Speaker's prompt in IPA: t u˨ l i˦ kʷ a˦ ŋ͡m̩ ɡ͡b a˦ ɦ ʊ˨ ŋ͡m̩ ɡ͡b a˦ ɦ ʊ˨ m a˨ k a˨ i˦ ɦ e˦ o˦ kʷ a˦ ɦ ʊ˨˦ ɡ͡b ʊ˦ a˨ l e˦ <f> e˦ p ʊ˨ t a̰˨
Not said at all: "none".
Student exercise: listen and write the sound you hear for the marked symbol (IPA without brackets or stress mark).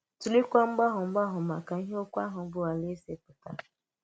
s